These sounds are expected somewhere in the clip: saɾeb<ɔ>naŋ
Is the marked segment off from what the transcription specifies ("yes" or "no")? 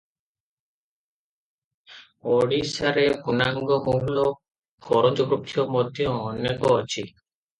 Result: yes